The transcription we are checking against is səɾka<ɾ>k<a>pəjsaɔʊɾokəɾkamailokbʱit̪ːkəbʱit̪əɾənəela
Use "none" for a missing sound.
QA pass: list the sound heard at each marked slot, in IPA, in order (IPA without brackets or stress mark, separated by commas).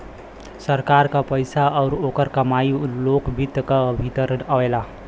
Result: ɾ, a